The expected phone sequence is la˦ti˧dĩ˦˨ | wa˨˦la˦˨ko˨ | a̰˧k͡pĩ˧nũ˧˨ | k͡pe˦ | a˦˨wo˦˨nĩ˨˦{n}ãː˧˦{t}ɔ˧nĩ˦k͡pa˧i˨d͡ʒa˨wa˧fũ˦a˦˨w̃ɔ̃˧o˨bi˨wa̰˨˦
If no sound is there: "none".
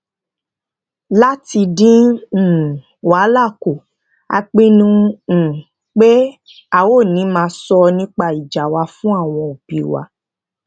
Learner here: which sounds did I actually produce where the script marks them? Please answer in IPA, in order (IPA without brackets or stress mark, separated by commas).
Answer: m, s